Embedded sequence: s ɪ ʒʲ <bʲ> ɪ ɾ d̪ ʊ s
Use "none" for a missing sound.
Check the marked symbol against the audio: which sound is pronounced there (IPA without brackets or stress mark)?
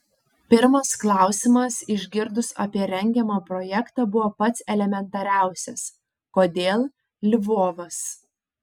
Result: ɡʲ